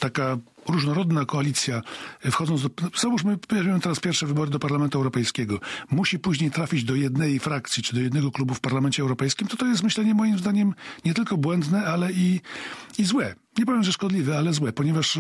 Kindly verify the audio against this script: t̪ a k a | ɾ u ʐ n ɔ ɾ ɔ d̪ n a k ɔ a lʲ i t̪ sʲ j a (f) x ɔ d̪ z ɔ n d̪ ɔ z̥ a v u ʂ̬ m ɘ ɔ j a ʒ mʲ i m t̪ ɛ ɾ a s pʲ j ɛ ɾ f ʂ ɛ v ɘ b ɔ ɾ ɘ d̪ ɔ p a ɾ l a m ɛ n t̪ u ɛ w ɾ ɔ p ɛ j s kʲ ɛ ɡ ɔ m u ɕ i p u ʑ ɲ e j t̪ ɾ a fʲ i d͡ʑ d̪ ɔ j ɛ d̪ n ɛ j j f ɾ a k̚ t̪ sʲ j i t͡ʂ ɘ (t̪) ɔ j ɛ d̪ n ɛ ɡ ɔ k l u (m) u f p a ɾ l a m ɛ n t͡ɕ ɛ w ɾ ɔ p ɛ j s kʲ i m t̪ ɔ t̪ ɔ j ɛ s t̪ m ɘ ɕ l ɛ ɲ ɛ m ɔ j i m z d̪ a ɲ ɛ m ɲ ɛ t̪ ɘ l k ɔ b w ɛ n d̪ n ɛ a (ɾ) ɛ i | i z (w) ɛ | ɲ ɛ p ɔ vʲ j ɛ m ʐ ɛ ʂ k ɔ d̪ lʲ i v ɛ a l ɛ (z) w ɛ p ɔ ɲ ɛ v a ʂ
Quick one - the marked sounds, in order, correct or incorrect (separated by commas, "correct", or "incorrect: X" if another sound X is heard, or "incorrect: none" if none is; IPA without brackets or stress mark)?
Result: correct, incorrect: d̪, incorrect: b, incorrect: l, correct, correct